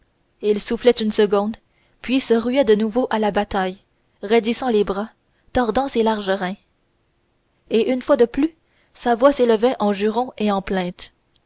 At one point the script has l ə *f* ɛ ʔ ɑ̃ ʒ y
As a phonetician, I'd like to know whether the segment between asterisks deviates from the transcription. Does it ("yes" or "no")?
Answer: yes